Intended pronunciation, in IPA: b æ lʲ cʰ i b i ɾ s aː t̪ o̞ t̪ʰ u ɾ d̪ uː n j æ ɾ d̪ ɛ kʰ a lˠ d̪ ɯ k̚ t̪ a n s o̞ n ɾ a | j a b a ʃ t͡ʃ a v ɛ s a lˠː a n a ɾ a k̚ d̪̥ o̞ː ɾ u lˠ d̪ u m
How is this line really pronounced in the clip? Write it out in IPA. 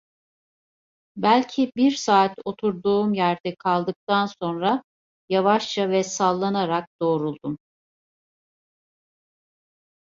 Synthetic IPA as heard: b æ lʲ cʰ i b i ɾ s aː t̪ o̞ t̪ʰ u ɾ d̪ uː m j æ ɾ d̪ ɛ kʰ a lˠ d̪ ɯ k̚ t̪ a n s o̞ n ɾ a | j a v a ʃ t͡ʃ a v ɛ s a lˠː a n a ɾ a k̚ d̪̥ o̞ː ɾ u lˠ d̪ u m